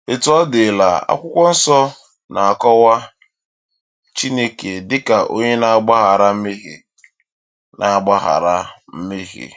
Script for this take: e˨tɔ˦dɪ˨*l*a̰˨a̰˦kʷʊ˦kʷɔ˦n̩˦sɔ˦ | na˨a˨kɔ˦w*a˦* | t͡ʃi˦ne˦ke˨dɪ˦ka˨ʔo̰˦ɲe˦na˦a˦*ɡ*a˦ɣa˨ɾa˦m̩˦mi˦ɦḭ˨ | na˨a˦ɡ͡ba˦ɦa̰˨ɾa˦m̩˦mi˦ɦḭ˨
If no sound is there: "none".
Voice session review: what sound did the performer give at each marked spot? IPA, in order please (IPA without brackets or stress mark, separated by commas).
l, a˦, ɡ͡b